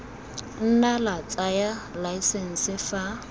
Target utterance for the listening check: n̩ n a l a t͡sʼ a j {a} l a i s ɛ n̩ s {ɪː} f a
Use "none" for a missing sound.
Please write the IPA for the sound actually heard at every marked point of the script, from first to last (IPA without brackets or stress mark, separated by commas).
a, ɪ